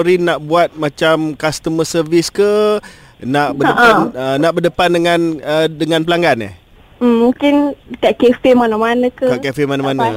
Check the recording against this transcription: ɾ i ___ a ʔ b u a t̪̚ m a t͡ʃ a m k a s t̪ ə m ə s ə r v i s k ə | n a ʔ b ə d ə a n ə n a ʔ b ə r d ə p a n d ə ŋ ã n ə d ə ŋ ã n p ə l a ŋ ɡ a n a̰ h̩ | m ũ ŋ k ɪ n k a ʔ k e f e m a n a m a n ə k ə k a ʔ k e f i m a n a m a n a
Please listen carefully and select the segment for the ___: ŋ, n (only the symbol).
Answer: n